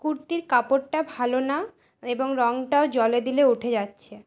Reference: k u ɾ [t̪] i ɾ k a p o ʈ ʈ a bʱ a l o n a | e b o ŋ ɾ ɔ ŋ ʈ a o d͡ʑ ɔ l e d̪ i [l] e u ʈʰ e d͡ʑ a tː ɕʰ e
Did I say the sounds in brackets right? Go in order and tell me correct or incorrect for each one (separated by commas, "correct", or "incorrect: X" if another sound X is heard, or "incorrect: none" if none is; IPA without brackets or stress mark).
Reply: correct, correct